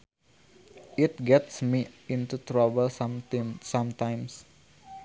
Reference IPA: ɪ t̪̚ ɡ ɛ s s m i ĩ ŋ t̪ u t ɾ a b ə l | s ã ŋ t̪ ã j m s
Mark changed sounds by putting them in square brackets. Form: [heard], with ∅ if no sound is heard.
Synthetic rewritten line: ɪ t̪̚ ɡ ɛ [t] s m i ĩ [n] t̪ u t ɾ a b ə l | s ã [m] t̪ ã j m s